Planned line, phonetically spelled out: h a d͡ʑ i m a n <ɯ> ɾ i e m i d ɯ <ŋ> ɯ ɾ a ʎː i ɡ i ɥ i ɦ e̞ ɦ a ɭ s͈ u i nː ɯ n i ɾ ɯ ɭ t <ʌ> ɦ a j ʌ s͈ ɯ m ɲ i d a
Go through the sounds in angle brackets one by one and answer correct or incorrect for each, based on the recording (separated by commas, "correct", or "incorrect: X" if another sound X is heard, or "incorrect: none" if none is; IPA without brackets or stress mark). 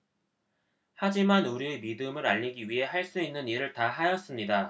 incorrect: u, incorrect: m, incorrect: a